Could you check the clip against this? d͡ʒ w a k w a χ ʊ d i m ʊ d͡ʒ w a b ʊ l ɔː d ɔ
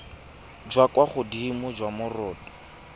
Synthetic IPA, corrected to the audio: d͡ʒ w a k w a χ ʊ d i m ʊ d͡ʒ w a m ʊ r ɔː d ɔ